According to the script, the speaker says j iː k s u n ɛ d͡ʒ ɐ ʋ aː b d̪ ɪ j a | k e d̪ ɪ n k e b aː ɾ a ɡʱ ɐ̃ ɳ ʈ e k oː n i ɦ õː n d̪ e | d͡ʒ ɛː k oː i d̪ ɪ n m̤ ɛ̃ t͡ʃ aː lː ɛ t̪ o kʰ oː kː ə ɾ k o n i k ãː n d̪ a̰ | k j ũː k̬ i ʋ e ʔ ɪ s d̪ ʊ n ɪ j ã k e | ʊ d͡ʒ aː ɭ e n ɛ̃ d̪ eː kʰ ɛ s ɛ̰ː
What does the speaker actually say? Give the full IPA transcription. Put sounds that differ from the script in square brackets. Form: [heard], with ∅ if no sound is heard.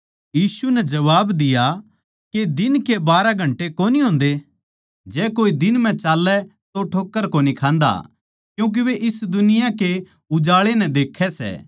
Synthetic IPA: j iː [∅] s u n ɛ d͡ʒ ɐ ʋ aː b d̪ ɪ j a | k e d̪ ɪ n k e b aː ɾ a ɡʱ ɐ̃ ɳ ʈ e k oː n i ɦ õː n d̪ e | d͡ʒ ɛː k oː i d̪ ɪ n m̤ ɛ̃ t͡ʃ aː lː ɛ t̪ o [ʈʰ] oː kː ə ɾ k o n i [kʰ] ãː n d̪ a̰ | k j ũː k̬ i ʋ e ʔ ɪ s d̪ ʊ n ɪ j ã k e | ʊ d͡ʒ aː ɭ e n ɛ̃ d̪ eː kʰ ɛ s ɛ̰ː